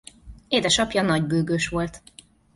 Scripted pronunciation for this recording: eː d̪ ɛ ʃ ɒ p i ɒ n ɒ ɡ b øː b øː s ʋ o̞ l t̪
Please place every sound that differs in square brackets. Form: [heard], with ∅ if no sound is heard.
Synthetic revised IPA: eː d̪ ɛ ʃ ɒ p [j] ɒ n ɒ [ɟ] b øː [ɡ] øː [ʃ] ʋ o̞ l t̪